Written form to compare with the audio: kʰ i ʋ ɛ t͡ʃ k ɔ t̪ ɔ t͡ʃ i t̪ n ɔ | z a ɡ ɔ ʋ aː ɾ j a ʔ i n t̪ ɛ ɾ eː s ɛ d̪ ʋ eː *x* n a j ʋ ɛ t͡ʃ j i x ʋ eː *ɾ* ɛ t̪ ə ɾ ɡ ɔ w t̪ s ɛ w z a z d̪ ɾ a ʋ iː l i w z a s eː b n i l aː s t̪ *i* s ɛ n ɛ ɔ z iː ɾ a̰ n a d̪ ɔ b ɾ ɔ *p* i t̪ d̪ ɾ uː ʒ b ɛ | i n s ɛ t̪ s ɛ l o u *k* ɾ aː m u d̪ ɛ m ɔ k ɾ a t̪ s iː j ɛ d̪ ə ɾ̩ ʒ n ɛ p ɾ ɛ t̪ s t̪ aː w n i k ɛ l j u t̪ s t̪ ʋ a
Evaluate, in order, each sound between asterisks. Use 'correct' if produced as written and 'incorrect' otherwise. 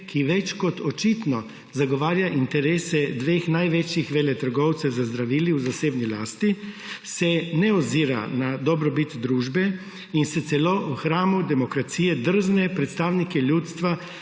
correct, incorrect, correct, incorrect, incorrect

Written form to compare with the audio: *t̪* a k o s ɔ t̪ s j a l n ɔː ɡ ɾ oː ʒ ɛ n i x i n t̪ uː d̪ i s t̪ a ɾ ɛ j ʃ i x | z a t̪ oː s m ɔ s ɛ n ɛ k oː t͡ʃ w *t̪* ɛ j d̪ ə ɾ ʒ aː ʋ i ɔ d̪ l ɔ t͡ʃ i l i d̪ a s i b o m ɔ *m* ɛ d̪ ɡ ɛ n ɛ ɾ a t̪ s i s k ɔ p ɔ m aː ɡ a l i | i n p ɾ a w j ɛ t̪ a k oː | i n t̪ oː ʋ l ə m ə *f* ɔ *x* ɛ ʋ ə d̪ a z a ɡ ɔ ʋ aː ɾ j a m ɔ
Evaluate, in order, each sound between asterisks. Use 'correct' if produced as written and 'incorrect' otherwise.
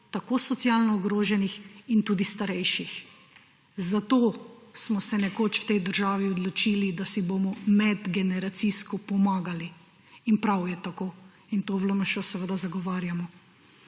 correct, correct, correct, incorrect, incorrect

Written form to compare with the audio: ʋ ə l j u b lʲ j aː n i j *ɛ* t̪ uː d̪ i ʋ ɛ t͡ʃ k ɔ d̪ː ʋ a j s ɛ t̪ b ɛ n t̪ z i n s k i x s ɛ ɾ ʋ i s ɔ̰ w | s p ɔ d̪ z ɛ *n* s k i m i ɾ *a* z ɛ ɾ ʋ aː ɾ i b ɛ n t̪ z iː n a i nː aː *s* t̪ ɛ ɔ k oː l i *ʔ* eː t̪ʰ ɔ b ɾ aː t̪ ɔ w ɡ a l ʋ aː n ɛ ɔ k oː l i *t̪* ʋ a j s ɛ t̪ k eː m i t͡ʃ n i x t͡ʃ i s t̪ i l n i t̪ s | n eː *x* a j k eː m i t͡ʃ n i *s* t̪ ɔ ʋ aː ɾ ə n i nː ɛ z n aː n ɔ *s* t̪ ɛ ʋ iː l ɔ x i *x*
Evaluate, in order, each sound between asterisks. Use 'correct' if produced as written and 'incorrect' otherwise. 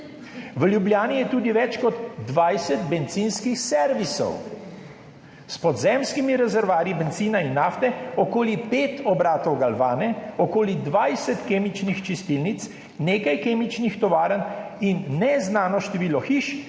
correct, incorrect, incorrect, incorrect, incorrect, incorrect, incorrect, incorrect, incorrect, incorrect

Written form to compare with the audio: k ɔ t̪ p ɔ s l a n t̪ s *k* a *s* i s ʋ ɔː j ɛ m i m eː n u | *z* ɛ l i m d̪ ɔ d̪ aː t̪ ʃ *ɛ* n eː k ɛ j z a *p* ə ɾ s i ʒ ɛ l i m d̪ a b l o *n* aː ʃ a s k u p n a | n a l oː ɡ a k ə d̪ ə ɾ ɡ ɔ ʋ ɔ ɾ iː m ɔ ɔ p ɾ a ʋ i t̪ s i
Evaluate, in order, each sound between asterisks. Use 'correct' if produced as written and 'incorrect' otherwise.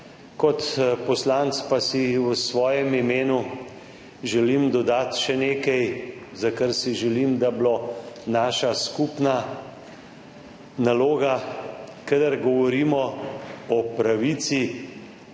incorrect, correct, incorrect, correct, incorrect, correct

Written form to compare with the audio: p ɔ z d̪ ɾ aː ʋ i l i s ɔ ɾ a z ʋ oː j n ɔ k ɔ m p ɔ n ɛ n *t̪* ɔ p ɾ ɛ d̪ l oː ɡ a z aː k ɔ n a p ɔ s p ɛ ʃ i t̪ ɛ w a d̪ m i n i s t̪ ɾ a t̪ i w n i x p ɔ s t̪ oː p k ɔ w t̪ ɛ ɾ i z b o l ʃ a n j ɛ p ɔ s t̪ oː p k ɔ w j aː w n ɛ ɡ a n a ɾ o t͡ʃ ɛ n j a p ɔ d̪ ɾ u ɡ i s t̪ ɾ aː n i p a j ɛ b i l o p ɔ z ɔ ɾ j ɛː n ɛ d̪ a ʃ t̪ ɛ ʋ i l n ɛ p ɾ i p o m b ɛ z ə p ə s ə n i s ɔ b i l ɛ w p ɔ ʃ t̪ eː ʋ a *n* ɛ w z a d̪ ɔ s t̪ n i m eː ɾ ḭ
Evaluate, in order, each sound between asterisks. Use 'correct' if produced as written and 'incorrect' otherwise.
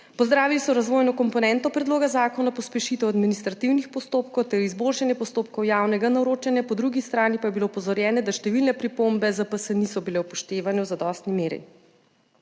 correct, correct

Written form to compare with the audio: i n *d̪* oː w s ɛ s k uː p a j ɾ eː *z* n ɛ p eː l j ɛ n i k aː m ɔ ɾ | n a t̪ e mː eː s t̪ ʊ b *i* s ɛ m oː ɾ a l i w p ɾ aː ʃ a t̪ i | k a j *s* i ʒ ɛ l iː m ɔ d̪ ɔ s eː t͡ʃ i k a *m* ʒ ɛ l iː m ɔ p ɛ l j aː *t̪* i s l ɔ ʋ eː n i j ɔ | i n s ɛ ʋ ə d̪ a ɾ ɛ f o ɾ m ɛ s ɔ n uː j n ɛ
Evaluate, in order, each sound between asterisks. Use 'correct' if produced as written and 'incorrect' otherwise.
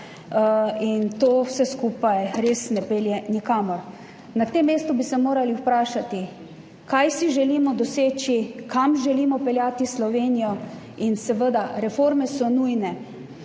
incorrect, incorrect, correct, correct, correct, correct

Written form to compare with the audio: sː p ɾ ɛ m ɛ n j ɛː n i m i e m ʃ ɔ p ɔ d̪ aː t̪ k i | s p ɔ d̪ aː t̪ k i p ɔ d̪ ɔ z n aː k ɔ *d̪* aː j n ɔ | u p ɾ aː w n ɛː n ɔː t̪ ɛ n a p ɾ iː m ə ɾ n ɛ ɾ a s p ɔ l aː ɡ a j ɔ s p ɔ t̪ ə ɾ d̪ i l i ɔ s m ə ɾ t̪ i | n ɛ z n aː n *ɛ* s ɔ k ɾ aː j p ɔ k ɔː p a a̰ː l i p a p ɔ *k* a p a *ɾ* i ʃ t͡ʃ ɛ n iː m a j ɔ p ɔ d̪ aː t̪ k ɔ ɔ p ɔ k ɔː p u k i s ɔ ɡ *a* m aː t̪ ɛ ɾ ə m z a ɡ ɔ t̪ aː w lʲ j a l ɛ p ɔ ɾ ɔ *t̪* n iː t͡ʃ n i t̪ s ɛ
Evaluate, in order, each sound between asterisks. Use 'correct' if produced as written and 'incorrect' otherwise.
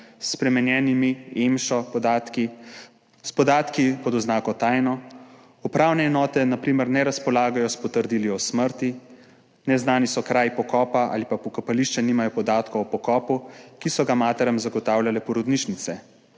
incorrect, incorrect, correct, incorrect, correct, incorrect

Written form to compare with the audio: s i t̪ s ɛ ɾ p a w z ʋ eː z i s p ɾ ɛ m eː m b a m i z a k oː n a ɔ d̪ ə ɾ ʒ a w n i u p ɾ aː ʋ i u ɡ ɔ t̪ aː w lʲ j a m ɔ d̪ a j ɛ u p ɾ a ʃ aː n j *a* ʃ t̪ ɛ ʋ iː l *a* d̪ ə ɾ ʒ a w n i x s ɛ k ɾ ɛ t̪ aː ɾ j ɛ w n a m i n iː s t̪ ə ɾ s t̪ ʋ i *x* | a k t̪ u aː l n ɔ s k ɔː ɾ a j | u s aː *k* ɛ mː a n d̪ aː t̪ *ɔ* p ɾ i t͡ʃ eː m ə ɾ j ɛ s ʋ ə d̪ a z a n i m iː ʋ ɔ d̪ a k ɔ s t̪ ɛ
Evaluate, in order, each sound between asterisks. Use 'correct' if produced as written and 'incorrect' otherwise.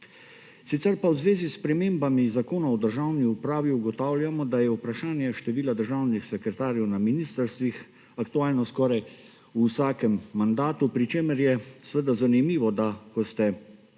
incorrect, correct, correct, correct, incorrect

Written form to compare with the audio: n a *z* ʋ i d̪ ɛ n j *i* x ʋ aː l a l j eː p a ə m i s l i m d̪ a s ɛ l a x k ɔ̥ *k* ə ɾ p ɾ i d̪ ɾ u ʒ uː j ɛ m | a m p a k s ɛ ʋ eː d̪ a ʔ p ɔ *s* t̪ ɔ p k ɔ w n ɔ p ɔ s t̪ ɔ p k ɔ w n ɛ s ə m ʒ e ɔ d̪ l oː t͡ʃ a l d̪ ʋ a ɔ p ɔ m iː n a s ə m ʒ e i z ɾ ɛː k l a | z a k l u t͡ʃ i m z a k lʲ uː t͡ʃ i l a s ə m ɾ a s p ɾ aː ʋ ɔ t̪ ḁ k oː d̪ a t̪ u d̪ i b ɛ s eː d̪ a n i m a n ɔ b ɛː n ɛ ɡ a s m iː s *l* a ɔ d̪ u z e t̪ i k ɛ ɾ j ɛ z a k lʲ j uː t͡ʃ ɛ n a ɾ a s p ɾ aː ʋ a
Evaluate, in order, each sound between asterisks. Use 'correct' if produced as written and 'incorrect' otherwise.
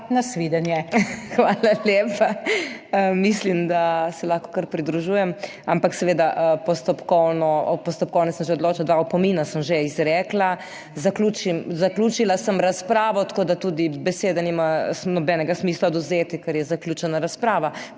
incorrect, incorrect, correct, correct, correct

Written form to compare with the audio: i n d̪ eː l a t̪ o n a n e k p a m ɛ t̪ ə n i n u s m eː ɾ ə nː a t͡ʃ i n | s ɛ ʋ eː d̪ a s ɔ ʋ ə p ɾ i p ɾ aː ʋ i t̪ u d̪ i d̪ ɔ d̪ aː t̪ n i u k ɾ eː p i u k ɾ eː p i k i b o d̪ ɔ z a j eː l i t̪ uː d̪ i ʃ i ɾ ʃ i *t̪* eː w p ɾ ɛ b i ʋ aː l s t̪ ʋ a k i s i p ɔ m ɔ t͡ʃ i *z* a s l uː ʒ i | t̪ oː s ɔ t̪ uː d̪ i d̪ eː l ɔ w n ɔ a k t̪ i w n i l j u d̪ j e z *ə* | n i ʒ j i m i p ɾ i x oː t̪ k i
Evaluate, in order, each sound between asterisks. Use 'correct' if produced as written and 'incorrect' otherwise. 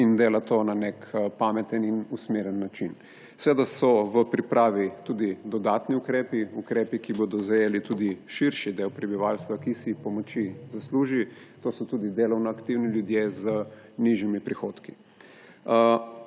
incorrect, correct, correct

